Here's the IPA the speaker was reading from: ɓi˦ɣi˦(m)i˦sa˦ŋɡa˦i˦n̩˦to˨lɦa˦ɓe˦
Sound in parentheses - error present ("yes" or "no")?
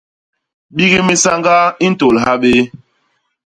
no